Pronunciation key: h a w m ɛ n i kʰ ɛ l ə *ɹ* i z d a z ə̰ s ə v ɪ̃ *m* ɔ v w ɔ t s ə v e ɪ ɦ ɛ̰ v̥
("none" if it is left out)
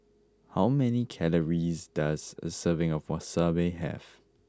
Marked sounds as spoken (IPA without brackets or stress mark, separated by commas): ɹ, ŋ